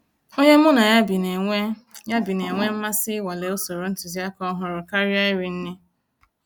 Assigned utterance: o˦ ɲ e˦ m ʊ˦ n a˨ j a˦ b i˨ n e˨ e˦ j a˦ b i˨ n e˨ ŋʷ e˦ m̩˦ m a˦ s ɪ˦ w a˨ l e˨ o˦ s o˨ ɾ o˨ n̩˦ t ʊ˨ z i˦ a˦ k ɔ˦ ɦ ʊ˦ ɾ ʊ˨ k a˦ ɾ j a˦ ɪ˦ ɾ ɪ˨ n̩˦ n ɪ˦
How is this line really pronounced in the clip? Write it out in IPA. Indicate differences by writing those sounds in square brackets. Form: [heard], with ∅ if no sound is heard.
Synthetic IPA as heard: o˦ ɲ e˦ m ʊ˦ n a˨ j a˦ b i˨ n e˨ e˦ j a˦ b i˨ n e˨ ŋʷ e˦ m̩˦ m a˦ s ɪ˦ w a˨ l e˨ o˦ s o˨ ɾ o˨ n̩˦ t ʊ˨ z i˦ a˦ k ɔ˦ ɦ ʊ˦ ɾ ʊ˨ k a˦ ɾ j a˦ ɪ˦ ɾ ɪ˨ n̩˦ n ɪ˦